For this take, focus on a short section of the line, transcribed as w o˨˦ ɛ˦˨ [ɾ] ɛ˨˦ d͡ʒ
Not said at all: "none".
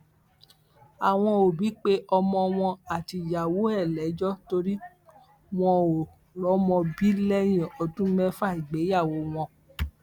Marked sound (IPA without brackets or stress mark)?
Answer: l